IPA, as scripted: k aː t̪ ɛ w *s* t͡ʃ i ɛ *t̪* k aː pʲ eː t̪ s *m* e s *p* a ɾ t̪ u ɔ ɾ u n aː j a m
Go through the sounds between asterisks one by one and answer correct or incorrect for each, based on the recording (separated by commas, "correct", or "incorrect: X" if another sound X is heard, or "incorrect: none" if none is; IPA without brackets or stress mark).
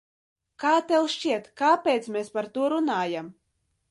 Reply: incorrect: ʃ, correct, correct, correct